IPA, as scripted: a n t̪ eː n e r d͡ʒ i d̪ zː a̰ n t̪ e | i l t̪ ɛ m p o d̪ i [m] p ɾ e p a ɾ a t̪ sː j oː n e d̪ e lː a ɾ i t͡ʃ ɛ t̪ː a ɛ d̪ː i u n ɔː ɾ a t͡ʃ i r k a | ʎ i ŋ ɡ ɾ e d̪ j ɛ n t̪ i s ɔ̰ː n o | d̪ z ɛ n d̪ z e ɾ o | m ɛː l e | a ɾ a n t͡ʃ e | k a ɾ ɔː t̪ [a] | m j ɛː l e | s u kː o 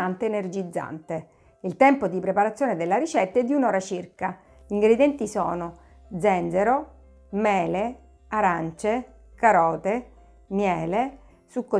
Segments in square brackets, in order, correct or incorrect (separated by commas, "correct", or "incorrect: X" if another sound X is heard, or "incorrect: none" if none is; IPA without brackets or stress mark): incorrect: none, incorrect: e